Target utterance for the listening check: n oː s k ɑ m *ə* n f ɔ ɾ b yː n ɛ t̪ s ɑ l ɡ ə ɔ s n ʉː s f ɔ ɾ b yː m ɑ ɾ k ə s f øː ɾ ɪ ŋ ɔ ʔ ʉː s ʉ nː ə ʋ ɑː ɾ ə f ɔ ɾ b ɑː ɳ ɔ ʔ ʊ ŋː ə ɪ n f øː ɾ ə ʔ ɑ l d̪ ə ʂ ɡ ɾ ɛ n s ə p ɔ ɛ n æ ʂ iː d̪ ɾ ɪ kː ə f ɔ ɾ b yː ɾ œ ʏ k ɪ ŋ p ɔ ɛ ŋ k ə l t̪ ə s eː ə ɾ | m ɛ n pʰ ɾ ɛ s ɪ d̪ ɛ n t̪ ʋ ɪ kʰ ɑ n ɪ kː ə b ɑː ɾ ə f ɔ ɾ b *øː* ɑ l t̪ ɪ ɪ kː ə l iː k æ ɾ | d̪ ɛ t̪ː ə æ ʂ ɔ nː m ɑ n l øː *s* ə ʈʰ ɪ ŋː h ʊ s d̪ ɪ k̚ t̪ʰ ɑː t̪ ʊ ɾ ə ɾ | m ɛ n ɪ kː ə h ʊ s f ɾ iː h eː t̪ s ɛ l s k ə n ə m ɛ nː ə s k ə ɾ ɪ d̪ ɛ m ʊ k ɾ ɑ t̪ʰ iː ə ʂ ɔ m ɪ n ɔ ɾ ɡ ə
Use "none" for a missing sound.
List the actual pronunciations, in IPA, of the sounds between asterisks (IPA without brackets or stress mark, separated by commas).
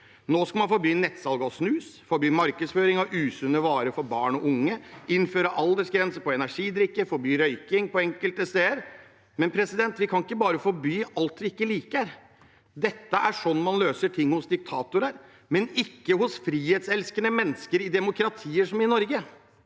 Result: ɑ, yː, s